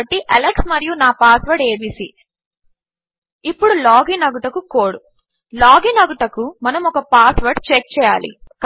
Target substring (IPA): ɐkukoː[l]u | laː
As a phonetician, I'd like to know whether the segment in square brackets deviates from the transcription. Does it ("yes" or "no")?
yes